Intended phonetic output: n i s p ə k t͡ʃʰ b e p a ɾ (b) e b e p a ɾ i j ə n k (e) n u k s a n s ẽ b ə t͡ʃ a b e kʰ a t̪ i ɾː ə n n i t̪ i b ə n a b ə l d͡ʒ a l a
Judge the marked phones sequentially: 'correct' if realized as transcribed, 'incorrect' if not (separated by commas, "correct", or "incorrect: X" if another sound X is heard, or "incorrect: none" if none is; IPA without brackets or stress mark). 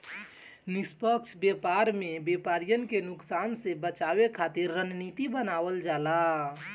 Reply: incorrect: m, correct